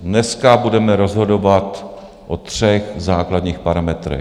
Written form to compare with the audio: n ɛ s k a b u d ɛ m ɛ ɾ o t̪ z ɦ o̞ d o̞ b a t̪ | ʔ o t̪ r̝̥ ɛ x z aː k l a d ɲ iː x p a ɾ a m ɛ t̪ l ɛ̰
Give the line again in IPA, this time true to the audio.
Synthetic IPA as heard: n ɛ s k a b u d ɛ m ɛ ɾ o z ɦ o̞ d o̞ v a t̪ | ʔ o t̪ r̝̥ ɛ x z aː k l a d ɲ iː x p a ɾ a m ɛ t̪ ɾ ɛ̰